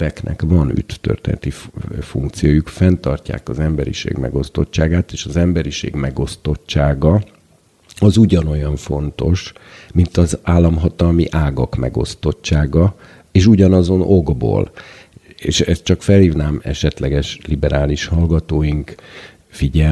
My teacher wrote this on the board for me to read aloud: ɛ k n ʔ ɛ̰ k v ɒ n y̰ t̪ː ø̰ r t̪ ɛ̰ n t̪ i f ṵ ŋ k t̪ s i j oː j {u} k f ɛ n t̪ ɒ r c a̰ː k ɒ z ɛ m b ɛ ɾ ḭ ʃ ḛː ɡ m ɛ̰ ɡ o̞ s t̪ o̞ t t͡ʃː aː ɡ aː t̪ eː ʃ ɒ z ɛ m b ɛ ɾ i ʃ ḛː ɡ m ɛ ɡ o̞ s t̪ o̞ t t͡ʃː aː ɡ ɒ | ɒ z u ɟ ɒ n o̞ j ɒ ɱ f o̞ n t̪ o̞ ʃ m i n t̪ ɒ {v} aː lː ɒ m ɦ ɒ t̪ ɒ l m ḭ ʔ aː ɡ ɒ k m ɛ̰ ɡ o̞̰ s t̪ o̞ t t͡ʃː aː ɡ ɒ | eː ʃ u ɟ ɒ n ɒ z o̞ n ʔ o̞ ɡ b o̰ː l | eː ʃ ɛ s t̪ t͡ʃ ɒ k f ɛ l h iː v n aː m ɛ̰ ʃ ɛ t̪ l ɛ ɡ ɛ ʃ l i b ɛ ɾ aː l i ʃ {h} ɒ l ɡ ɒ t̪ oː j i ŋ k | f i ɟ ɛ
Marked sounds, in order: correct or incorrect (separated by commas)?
correct, incorrect, correct